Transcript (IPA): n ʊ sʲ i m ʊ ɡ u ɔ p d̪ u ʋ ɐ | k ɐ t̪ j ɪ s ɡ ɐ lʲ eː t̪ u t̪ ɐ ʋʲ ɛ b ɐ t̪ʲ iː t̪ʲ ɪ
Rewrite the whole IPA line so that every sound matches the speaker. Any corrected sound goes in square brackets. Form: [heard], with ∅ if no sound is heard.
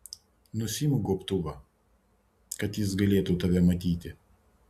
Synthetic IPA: n ʊ sʲ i m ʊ ɡ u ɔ p [t̪] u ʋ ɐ | k ɐ t̪ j ɪ s ɡ ɐ lʲ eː t̪ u t̪ ɐ ʋʲ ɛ [m] ɐ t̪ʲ iː t̪ʲ ɪ